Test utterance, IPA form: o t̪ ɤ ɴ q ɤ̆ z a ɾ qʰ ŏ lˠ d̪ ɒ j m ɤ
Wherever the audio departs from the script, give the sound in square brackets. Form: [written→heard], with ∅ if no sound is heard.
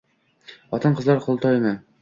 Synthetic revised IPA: [o→ɒ] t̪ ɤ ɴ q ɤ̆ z [a→ɑ] ɾ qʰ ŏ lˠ [d̪→t̪] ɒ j m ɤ